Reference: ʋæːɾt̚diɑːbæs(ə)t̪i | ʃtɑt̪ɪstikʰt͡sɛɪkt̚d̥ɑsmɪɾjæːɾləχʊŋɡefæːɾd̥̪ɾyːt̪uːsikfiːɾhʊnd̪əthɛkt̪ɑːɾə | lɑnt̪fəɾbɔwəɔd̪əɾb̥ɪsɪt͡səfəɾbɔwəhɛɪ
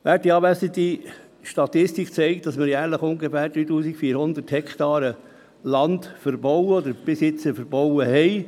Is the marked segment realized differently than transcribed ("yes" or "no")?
no